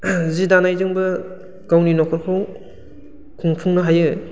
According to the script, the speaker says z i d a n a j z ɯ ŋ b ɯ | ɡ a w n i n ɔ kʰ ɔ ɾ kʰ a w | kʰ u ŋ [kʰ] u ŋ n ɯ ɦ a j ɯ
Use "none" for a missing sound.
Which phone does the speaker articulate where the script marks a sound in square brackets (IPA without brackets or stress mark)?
pʰ